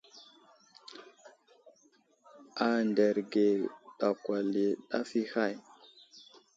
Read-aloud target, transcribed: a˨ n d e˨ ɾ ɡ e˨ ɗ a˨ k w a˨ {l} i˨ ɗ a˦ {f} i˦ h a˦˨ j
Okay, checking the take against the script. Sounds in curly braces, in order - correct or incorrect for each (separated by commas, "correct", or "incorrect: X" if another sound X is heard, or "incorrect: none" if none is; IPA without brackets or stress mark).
correct, correct